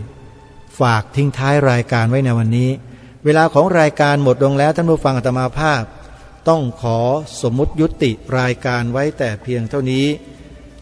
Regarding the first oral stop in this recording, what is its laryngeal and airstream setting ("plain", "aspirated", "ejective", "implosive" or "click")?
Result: plain